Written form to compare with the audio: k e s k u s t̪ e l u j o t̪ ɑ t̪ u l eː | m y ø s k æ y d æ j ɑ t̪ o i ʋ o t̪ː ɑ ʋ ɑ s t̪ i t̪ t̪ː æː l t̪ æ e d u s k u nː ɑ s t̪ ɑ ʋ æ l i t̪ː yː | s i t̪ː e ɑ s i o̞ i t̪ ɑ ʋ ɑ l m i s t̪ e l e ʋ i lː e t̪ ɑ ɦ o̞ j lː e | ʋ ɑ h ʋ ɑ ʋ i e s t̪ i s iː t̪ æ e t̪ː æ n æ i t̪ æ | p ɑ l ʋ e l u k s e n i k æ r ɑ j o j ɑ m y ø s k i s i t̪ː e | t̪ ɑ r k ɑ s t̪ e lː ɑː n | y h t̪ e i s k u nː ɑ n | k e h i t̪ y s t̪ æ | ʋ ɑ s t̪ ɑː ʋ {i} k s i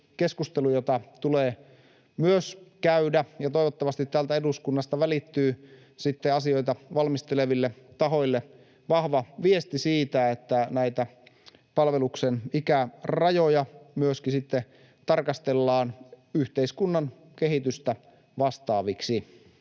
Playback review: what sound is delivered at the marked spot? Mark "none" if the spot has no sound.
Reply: i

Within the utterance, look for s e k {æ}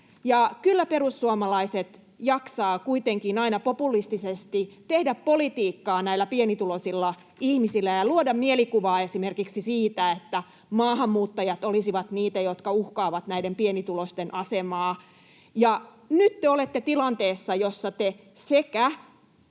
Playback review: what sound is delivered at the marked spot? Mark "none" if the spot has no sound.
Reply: æ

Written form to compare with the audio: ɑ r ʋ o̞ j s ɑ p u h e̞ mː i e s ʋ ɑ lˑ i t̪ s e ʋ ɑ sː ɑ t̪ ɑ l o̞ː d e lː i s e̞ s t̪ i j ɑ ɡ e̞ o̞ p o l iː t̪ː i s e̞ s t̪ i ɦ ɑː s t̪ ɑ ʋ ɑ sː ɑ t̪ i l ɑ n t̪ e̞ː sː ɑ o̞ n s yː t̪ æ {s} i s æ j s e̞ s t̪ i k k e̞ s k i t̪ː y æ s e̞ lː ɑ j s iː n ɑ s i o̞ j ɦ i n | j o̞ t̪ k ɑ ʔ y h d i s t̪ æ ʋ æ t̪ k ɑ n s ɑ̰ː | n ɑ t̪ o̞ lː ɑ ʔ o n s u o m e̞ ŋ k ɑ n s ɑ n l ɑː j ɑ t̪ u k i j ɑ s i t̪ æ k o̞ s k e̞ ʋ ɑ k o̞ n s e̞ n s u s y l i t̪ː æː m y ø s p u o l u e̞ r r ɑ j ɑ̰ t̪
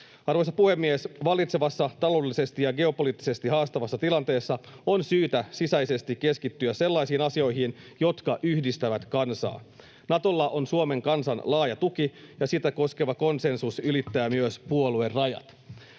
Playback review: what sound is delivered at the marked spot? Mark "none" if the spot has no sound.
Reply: s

